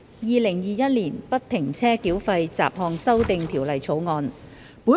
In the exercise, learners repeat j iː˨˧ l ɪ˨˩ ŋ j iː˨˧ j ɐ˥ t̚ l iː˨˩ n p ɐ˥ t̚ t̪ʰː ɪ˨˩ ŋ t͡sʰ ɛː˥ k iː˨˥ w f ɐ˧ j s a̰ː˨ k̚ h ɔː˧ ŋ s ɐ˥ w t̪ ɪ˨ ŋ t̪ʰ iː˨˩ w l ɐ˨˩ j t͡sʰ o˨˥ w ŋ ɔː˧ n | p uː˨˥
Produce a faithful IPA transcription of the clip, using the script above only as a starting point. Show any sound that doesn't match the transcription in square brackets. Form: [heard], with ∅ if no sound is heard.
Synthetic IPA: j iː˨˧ l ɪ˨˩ ŋ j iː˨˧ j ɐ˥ t̚ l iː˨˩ n p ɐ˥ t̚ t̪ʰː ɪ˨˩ ŋ t͡sʰ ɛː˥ k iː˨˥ w f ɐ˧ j [t͡s] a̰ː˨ [p̚] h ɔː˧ ŋ s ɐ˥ w t̪ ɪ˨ ŋ t̪ʰ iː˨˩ w l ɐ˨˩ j t͡sʰ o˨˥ w ŋ ɔː˧ n | p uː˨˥